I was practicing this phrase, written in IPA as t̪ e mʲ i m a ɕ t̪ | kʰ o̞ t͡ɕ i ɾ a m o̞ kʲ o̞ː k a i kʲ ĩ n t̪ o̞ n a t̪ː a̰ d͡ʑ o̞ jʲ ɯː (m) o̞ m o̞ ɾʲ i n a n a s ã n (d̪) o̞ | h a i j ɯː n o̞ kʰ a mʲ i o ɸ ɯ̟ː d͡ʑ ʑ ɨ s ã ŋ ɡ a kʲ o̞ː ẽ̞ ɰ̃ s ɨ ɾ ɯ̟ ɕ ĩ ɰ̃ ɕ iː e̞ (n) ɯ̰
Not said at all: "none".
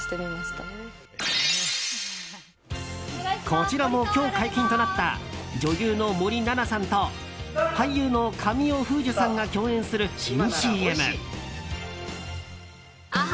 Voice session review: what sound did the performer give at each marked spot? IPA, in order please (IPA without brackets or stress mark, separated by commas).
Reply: n, t̪, m